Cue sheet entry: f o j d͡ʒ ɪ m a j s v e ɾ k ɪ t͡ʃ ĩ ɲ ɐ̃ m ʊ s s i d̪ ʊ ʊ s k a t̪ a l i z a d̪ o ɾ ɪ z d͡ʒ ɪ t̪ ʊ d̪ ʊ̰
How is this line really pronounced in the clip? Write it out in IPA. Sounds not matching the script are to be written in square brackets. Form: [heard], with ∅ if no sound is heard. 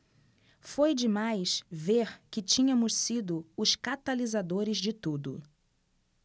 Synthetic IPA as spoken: f o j d͡ʒ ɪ m a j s v e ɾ k ɪ t͡ʃ ĩ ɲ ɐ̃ m ʊ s s i d̪ ʊ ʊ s k a t̪ a l i z a d̪ o ɾ ɪ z d͡ʒ ɪ t̪ [u] d̪ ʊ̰